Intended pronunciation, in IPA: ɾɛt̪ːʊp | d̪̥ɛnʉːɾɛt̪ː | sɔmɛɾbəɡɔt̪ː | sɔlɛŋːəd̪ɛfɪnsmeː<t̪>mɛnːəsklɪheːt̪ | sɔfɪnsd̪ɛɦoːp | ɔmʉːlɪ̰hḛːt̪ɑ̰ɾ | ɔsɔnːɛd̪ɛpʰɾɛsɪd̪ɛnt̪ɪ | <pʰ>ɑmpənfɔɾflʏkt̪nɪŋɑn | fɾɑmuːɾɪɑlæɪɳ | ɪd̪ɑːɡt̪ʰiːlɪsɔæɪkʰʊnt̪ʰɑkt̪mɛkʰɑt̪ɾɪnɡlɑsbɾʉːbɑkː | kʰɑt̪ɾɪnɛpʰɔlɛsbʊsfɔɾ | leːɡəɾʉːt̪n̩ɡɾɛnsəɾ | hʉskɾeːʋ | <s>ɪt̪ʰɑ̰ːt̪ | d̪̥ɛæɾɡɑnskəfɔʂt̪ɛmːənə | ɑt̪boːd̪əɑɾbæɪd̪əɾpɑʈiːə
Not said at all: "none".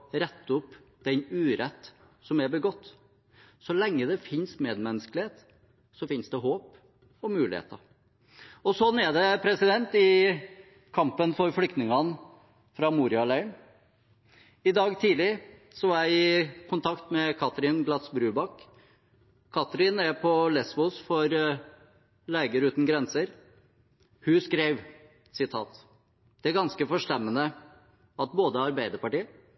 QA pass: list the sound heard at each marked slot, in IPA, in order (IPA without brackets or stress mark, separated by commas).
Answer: d̪, kʰ, s